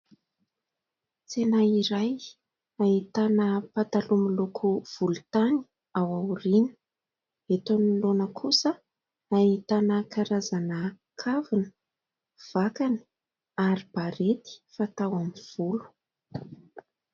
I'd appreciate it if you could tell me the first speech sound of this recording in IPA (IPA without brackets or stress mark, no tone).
t͡s